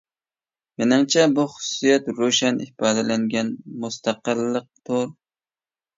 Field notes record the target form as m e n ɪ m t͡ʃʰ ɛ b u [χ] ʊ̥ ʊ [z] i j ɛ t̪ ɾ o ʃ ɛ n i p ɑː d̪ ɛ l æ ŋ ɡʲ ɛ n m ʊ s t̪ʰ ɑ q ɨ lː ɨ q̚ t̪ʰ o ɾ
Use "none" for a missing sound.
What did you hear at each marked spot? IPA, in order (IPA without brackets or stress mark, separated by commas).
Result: χ, s